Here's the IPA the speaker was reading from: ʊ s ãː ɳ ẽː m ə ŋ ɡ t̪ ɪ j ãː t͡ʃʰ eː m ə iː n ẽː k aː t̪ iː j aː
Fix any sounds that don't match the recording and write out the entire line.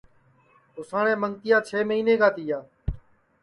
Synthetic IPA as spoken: ʊ s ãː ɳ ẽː m ə ŋ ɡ t̪ ɪ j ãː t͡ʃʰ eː m ə iː n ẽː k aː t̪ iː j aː

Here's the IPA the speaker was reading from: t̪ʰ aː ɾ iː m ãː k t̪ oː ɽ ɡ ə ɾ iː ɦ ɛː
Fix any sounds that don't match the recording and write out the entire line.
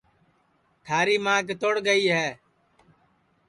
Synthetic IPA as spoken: t̪ʰ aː ɾ iː m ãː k t̪ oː ɽ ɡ ə iː ɦ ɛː

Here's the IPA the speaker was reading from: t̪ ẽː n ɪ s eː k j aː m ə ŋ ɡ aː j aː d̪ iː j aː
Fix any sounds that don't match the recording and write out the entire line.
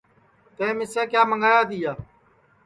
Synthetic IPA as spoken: t̪ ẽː m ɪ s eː k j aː m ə ŋ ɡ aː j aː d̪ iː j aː

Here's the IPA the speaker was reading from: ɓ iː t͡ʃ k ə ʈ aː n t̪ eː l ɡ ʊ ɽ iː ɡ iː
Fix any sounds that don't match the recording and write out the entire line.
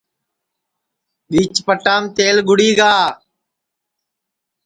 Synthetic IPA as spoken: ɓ iː t͡ʃ p ə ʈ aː m t̪ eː l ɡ ʊ ɽ iː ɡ aː

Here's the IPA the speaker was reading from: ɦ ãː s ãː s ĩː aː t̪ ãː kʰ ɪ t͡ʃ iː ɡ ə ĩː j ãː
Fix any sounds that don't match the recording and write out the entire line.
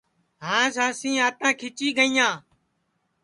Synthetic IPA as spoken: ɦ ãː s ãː s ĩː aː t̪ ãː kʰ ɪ t͡ʃ iː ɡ ə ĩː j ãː

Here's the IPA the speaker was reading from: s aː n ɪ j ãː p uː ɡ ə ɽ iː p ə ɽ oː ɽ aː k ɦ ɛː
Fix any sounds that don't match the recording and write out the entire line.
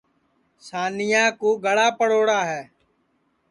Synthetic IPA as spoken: s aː n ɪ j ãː k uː ɡ ə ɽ aː p ə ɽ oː ɽ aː ɦ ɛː

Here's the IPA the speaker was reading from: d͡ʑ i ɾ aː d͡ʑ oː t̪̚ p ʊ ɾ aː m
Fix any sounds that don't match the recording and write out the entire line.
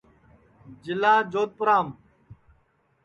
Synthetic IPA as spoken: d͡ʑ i l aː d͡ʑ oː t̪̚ p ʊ ɾ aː m

